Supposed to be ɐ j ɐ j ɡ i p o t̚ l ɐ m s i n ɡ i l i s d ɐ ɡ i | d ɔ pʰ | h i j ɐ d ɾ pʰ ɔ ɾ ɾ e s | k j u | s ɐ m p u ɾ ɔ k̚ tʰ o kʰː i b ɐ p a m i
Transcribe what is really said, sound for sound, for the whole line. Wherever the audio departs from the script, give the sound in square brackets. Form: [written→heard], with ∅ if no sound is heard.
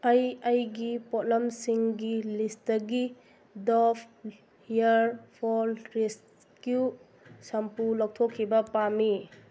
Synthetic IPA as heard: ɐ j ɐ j ɡ i p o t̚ l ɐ m s i [n→ŋ] ɡ i l i s [d→t] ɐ ɡ i | d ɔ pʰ | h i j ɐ [d→∅] ɾ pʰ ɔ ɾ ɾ e s | k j u | s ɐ m p u [ɾ→l] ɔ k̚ tʰ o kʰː i b ɐ p a m i